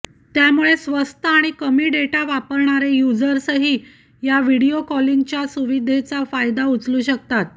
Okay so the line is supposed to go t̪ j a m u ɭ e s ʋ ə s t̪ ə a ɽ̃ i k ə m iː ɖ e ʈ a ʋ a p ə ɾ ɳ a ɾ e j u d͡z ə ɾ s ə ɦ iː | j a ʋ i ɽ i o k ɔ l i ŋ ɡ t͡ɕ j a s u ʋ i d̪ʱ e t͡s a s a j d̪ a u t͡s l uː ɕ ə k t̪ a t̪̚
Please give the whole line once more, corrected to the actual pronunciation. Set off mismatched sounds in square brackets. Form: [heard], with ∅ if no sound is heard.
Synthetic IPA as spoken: t̪ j a m u ɭ e s ʋ ə s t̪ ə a ɽ̃ i k ə m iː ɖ e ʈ a ʋ a p ə ɾ ɳ a ɾ e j u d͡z ə ɾ s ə ɦ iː | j a ʋ i ɽ i o k ɔ l i ŋ ɡ t͡ɕ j a s u ʋ i d̪ʱ e t͡s a [f] a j d̪ a u t͡s l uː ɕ ə k t̪ a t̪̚